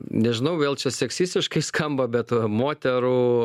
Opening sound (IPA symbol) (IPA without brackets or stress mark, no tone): nʲ